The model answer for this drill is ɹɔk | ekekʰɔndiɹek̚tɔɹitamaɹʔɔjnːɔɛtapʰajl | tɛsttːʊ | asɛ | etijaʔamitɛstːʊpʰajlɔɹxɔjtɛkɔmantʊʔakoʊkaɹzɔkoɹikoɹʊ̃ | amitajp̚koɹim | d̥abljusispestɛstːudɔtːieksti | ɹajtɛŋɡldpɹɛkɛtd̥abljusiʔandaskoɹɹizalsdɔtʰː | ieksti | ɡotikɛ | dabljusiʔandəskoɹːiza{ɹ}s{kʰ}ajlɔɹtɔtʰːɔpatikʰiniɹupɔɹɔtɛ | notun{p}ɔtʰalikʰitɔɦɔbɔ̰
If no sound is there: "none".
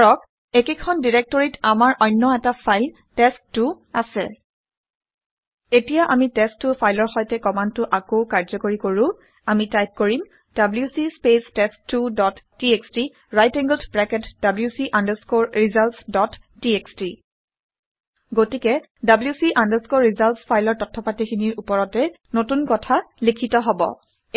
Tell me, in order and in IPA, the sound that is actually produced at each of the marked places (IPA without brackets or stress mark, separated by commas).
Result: l, pʰ, k